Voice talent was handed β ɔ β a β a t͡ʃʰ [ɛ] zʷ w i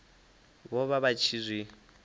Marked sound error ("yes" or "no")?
yes